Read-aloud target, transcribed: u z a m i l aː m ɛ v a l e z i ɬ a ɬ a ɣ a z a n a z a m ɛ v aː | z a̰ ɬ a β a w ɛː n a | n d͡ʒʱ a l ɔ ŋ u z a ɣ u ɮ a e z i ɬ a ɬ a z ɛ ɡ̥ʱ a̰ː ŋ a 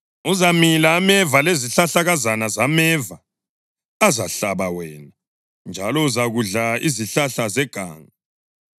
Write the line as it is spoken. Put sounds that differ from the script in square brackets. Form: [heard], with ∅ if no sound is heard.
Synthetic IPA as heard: u z a m i l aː m ɛ v a l e z i ɬ a ɬ a ɣ a z a n a z a m ɛ v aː | z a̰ ɬ a β a w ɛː n a | n d͡ʒʱ a l ɔ [∅] u z a ɣ u ɮ a [i] z i ɬ a ɬ a z ɛ ɡ̥ʱ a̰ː ŋ a